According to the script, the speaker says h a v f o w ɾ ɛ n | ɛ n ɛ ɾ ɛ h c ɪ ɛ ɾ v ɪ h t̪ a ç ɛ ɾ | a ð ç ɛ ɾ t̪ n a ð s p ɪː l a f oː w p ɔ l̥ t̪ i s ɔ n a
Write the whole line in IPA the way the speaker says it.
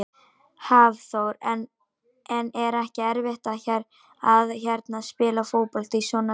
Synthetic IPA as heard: h a v θ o w ɾ ɛ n | ɛ n ɛ ɾ ɛ h c ɪ ɛ ɾ v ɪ h t̪ a ç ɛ ɾ | a ð ç ɛ ɾ t̪ n a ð s p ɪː l a f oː w p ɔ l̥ t̪ i s ɔ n a